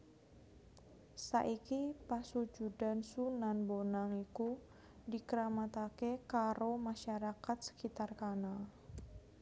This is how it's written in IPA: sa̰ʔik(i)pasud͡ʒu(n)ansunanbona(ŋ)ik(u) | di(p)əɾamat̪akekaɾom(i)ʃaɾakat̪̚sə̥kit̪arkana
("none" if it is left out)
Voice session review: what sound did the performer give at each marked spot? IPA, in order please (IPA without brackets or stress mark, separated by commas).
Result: i, d, ŋ, u, k, a